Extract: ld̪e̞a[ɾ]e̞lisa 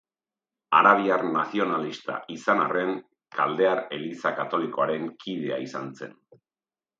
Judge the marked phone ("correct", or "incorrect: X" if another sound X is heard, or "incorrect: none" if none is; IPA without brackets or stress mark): correct